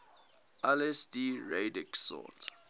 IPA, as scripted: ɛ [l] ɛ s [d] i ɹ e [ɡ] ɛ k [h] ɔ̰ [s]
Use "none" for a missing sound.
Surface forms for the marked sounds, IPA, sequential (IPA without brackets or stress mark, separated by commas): l, d, d, s, t